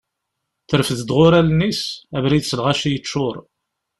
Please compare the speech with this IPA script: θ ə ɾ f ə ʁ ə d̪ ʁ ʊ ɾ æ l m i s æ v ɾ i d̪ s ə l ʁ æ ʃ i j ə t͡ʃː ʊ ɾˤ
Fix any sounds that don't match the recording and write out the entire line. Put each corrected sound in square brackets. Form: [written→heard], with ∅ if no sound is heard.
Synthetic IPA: θ ə ɾ f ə [ʁ→ð] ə d̪ ʁ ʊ ɾ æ l [m→n] i s æ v ɾ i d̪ s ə l ʁ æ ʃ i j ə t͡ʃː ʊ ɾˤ